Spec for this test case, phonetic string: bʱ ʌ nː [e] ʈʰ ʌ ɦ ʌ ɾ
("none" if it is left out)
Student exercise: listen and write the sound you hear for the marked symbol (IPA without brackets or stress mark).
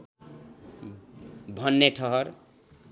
e